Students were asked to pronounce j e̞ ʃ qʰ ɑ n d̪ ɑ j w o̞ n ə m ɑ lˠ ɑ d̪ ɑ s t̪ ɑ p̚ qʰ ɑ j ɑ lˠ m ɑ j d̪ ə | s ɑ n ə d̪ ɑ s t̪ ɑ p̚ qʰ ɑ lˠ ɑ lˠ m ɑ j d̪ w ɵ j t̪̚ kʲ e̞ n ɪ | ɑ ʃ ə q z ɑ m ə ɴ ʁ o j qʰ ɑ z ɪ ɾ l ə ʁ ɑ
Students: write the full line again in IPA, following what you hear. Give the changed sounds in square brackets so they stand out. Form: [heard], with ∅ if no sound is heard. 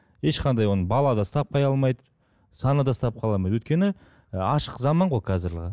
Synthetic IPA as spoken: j e̞ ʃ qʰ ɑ n d̪ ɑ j w o̞ n ə [b] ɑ lˠ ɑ d̪ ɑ s t̪ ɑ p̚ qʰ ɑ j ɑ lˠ m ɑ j d̪ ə | s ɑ n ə d̪ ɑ s t̪ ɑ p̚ qʰ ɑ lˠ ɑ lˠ m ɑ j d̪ w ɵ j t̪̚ kʲ e̞ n ɪ | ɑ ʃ ə q z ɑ m [ɑ] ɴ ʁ o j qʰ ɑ z ɪ ɾ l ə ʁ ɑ